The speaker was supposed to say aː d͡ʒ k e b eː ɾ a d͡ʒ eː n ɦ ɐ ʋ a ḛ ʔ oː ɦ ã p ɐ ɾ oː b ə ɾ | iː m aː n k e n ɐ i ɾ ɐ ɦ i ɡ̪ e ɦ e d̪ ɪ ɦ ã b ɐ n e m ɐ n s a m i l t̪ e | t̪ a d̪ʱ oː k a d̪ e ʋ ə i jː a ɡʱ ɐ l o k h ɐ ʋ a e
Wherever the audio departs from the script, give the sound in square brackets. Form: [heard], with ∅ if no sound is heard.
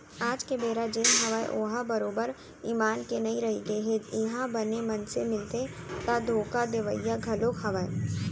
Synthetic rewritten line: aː d͡ʒ k e b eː ɾ a d͡ʒ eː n ɦ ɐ ʋ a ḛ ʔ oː ɦ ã [b] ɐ ɾ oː b ə ɾ | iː m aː n k e n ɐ i ɾ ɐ ɦ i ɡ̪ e ɦ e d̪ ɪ ɦ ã b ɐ n e m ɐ n s [e] m [ɪ] l t̪ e | t̪ a d̪ʱ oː k a d̪ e ʋ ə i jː a ɡʱ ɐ l o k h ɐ ʋ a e